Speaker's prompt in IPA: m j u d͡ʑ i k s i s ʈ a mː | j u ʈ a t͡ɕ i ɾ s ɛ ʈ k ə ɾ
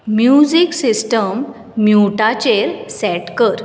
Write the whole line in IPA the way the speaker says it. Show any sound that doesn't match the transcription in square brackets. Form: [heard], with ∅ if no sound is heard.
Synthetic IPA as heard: m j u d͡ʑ i k s i s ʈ [ə] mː | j u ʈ a t͡ɕ [e] ɾ s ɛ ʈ k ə ɾ